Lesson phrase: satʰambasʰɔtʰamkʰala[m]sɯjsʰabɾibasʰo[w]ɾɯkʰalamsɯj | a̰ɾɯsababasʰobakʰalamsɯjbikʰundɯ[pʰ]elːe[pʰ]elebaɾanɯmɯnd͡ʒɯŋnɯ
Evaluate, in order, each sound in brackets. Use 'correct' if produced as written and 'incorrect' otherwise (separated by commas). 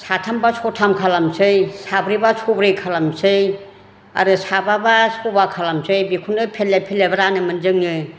correct, incorrect, correct, correct